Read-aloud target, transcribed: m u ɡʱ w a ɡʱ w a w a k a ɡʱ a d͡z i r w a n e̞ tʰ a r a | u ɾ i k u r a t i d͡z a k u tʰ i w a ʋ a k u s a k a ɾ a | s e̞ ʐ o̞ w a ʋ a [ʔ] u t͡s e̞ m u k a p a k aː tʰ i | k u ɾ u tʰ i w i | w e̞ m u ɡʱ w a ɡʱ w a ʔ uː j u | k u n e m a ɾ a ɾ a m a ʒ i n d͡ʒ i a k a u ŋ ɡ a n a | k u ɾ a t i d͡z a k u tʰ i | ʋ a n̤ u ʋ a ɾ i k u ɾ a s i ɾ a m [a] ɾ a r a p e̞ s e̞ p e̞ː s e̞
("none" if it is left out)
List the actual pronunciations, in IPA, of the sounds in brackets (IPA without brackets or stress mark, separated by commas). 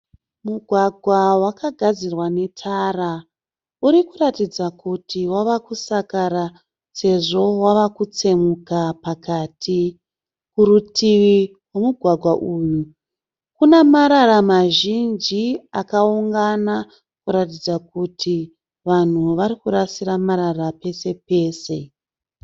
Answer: k, a